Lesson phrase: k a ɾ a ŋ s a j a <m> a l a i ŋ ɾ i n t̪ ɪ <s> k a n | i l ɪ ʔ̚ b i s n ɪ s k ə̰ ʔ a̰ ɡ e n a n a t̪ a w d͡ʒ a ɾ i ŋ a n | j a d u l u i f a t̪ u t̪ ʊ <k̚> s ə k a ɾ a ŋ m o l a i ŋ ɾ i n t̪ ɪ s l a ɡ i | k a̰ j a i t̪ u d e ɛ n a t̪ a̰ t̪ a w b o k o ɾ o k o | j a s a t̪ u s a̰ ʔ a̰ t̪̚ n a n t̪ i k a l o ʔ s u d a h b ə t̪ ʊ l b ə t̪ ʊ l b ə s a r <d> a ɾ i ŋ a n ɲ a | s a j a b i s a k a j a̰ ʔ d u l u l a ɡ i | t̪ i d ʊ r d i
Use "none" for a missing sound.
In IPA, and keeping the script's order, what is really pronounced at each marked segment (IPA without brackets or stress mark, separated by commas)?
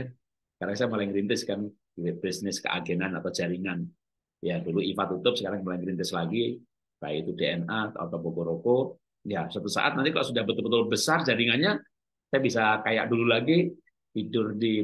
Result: m, s, p̚, d͡ʒ